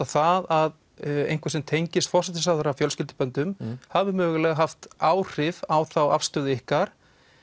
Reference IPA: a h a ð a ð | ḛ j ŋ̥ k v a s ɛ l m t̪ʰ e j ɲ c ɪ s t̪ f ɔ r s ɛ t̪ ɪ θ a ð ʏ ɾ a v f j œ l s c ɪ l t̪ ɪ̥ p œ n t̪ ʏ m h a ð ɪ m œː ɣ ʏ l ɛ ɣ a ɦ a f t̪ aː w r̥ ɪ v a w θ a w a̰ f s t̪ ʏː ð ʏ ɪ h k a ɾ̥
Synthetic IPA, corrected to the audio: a θ a ð a ð | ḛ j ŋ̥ k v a s ɛ m t̪ʰ e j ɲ c ɪ s t̪ f ɔ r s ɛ t̪ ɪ s a ð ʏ ɾ a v f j œ l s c ɪ l t̪ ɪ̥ p œ n t̪ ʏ m h a v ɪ m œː ɣ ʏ l ɛ ɣ a ɦ a f t̪ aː w r̥ ɪ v a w θ a w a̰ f s t̪ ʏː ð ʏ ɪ h k a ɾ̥